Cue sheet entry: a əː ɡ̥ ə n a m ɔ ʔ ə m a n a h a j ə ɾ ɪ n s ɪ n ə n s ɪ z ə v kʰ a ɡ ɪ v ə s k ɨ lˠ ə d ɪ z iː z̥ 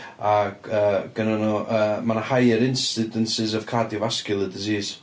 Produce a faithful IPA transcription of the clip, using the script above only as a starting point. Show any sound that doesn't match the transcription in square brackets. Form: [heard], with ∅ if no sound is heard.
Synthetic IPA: a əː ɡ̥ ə n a [n] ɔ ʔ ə m a n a h a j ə ɾ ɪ n s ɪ [d] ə n s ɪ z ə v kʰ a [d] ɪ v [a] s k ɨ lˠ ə d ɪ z iː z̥